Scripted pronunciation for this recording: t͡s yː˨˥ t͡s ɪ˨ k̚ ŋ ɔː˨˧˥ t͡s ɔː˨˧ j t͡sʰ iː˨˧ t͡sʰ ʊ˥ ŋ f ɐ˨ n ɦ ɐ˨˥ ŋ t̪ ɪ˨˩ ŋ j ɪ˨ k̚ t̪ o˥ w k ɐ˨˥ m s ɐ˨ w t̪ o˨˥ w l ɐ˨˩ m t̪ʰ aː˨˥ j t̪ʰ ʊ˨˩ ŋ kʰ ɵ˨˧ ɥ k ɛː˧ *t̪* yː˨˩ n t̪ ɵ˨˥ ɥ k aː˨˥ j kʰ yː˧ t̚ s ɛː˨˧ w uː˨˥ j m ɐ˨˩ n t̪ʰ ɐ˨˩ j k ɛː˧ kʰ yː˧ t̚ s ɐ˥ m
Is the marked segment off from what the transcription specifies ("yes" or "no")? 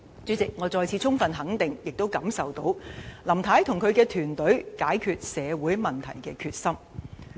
yes